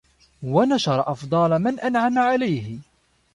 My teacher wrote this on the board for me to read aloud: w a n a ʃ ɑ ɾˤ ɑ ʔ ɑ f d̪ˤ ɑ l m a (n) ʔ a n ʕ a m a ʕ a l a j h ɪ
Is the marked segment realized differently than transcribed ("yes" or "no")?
no